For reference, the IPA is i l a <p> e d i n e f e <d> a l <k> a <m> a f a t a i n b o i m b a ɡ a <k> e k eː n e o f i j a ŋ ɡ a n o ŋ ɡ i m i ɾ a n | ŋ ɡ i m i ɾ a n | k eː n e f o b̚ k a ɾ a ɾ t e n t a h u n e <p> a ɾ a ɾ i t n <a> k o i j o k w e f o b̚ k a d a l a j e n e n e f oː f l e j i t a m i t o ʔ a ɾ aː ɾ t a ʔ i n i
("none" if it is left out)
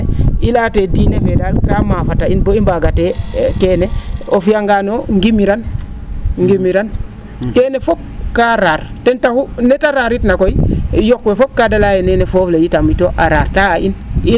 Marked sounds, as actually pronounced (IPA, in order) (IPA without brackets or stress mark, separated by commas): t, d, k, m, t, t, a